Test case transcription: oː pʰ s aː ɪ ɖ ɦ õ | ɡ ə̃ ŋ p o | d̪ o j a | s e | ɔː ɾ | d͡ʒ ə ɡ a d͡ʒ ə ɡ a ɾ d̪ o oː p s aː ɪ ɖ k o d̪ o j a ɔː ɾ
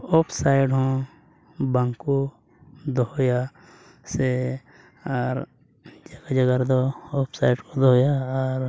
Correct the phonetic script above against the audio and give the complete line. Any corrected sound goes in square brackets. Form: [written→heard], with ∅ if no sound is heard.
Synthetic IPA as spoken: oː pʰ s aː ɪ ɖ ɦ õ | [ɡ→b] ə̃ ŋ [p→k] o | d̪ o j a | s e | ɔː ɾ | d͡ʒ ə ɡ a d͡ʒ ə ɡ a ɾ d̪ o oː p s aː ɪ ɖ k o d̪ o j a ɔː ɾ